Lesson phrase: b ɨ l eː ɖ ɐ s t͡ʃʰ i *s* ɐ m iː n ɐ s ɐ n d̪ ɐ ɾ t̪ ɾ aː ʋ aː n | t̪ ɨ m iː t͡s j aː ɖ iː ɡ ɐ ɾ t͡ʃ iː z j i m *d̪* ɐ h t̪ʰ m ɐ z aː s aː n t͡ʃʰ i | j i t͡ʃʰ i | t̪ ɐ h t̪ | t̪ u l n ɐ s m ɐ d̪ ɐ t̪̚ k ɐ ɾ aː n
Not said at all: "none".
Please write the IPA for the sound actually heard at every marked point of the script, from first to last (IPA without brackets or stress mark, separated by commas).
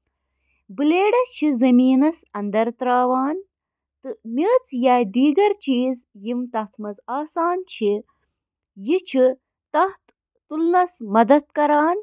z, t̪